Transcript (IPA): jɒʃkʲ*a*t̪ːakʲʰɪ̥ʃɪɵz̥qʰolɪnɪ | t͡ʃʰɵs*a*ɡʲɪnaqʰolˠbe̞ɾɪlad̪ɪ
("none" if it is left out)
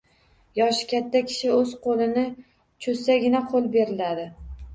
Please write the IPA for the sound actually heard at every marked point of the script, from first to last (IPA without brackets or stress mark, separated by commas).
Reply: a, a